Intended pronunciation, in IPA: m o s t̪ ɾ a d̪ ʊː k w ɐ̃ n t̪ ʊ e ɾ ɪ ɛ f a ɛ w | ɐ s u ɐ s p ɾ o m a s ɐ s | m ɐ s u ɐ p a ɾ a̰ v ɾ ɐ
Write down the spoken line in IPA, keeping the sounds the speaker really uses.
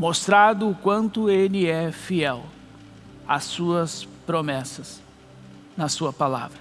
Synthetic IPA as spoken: m o s t̪ ɾ a d̪ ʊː k w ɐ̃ n t̪ ʊ e l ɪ ɛ f i ɛ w | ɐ s u ɐ s p ɾ o m ɛ s ɐ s | n ɐ s u ɐ p a l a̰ v ɾ ɐ

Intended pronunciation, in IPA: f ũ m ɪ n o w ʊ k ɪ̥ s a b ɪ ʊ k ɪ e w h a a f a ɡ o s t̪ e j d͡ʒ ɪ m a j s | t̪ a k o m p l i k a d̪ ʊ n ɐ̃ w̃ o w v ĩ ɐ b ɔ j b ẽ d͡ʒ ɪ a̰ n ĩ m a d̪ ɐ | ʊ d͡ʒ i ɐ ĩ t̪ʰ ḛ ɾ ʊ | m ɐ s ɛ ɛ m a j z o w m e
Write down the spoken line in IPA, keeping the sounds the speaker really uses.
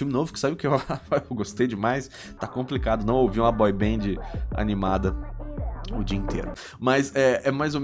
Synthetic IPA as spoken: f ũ m ɪ n o v ʊ k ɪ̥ s a b ɪ ʊ k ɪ e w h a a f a ɡ o s t̪ e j d͡ʒ ɪ m a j s | t̪ a k õ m p l i k a d̪ ʊ n ɐ̃ w̃ o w v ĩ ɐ b ɔ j b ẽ d͡ʒ ɪ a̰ n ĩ m a d̪ ɐ | ʊ d͡ʒ i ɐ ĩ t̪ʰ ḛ ɾ ʊ | m ɐ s ɛ ɛ m a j z o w m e

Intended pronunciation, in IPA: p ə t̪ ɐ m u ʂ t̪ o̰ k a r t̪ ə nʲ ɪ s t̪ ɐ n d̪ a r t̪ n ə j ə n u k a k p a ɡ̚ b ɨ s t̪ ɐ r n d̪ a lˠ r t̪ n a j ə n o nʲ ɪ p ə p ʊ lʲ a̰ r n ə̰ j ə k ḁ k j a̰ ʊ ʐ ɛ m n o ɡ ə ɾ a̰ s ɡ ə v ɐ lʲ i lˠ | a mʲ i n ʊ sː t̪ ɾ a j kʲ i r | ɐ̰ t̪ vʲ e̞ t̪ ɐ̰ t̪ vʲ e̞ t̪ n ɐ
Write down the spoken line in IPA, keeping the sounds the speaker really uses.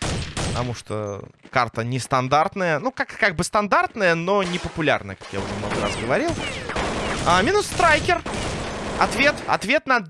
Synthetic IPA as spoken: p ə t̪ ɐ m u ʂ t̪ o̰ k a r t̪ ə nʲ ɪ s t̪ ɐ n d̪ a r t̪ n ə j ə n u k a k k a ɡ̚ b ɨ s t̪ ɐ n d̪ a r t̪ n ə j ə n o nʲ ɪ p ə p ʊ lʲ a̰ r n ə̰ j ə k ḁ k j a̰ ʊ ʐ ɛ m n o ɡ ə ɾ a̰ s ɡ ə v ɐ ɾʲ i lˠ | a mʲ i n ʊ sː t̪ ɾ a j kʲ ɪ r | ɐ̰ t̪ vʲ e̞ t̪ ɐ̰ t̪ vʲ e̞ t̪ n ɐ

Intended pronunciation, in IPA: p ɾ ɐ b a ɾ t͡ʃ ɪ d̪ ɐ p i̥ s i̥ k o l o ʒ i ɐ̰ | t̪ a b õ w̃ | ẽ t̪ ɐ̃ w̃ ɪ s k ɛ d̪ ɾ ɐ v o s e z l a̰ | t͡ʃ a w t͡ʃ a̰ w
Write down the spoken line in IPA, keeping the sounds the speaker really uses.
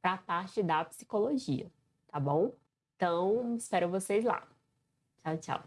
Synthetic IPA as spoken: p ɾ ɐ p a ɾ t͡ʃ ɪ d̪ ɐ p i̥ s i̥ k o l o ʒ i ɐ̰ | t̪ a b õ w̃ | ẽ t̪ ɐ̃ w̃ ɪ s p ɛ ɾ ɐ v o s e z l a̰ | t͡ʃ a w t͡ʃ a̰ w

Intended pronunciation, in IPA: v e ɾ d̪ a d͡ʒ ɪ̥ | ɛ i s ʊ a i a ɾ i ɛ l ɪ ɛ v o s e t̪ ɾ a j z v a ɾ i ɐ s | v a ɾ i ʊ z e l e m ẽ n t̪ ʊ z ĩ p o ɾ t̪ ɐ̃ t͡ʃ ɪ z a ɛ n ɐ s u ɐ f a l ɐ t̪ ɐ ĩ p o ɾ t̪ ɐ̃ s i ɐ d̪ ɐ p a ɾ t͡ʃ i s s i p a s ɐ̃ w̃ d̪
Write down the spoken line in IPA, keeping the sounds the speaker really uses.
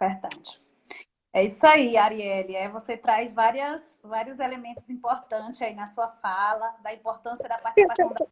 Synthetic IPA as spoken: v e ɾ d̪ a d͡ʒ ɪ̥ | ɛ i s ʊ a i a ɾ i ɛ l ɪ ɛ v o s e t̪ ɾ a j z v a ɾ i ɐ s | v a ɾ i ʊ z e l e m ẽ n t̪ ʊ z ĩ p o ɾ t̪ ɐ̃ t͡ʃ ɪ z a i n ɐ s u ɐ f a l ɐ d̪ ɐ ĩ p o ɾ t̪ ɐ̃ s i ɐ d̪ ɐ p a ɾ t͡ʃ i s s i p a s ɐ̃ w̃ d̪

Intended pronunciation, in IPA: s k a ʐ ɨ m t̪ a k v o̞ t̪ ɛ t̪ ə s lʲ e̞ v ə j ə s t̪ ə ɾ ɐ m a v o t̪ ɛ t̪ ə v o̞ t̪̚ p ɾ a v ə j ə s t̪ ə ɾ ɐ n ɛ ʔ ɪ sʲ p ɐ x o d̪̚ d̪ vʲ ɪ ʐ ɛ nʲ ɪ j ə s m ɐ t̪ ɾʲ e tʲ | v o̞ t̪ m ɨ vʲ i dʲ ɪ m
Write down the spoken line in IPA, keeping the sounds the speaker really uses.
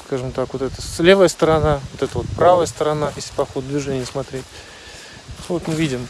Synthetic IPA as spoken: s k a ʐ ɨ m t̪ a k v o̞ t̪ ɛ t̪ ə s lʲ e̞ v ə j ə s t̪ ə ɾ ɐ n a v o t̪ ɛ t̪ ə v o̞ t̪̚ p ɾ a v ə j ə s t̪ ə ɾ ɐ n a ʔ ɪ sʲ p ɐ x o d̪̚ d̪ vʲ ɪ ʐ ɛ nʲ ɪ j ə s m ɐ t̪ ɾʲ e tʲ | v o̞ t̪ m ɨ vʲ i dʲ ɪ m

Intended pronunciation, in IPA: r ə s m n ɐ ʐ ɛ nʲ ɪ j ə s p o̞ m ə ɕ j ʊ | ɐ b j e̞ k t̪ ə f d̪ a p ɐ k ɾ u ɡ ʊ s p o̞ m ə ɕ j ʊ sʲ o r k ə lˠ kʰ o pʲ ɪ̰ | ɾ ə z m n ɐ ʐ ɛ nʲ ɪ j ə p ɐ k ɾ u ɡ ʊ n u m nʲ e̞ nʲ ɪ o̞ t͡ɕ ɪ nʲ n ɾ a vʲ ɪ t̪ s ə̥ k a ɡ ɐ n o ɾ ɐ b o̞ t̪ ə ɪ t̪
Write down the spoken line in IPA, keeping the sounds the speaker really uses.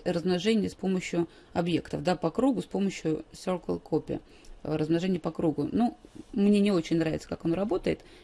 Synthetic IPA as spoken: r ə z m n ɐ ʐ ɛ nʲ ɪ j ə s p o̞ m ə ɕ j ʊ | ɐ b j e̞ k t̪ ə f d̪ a p ɐ k ɾ u ɡ ʊ s p o̞ m ə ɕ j ʊ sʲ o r k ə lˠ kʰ o pʲ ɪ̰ | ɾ ə z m n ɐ ʐ ɛ nʲ ɪ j ə p ɐ k ɾ u ɡ ʊ n u m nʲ e̞ nʲ ɪ o̞ t͡ɕ ɪ nʲ n ɾ a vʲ ɪ t̪ s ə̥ k a k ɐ n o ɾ ɐ b o̞ t̪ ə ɪ t̪

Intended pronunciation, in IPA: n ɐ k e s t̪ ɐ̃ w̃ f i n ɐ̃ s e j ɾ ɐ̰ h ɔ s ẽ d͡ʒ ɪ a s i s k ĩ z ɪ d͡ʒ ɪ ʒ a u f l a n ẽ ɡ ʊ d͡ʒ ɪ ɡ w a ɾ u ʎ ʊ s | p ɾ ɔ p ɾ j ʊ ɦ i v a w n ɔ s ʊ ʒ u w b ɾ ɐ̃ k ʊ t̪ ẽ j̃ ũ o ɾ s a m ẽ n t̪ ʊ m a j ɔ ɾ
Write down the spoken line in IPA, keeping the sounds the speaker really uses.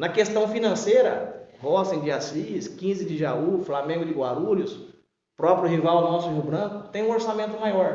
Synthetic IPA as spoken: n ɐ k e s t̪ ɐ̃ w̃ f i n ɐ̃ s e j ɾ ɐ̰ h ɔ s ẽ d͡ʒ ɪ a s i s k ĩ z ɪ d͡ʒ ɪ ʒ a u f l a m ẽ ɡ ʊ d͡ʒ ɪ ɡ w a ɾ u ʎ ʊ s | p ɾ ɔ p ɾ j ʊ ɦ i v a w n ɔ s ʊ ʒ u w b ɾ ɐ̃ k ʊ t̪ ẽ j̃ ũ o ɾ s a m ẽ n t̪ ʊ m a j ɔ ɾ

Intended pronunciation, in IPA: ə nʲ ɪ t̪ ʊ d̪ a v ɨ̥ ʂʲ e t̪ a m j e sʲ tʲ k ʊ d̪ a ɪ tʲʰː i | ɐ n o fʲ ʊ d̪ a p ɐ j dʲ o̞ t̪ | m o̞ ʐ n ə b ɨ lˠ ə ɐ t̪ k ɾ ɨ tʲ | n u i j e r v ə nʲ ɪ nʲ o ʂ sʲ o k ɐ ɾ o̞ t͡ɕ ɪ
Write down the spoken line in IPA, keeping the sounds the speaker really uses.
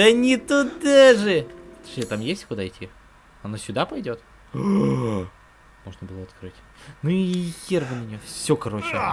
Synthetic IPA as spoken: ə nʲ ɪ t̪ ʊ d̪ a ʐ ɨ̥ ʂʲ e t̪ a m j e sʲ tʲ k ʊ d̪ a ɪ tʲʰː i | ɐ n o sʲ ʊ d̪ a p ɐ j dʲ o̞ t̪ | m o̞ ʐ n ə b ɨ lˠ ə ɐ t̪ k ɾ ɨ tʲ | n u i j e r v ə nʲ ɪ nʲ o f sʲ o k ɐ ɾ o̞ t͡ɕ ɪ

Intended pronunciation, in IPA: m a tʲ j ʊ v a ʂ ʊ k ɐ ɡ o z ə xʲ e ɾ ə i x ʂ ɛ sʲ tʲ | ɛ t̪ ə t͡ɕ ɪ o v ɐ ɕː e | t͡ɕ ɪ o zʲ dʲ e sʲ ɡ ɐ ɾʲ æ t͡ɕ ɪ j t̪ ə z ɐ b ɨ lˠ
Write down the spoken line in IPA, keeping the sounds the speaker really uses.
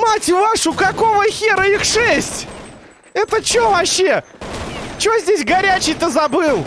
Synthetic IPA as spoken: m a tʲ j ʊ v a ʂ ʊ k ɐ k o v ə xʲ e ɾ ə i x ʂ ɛ sʲ tʲ | ɛ t̪ ə t͡ɕ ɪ o v ɐ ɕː e | t͡ɕ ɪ o zʲ dʲ e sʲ ɡ ɐ ɾʲ æ t͡ɕ ɪ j t̪ ə z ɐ b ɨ lˠ

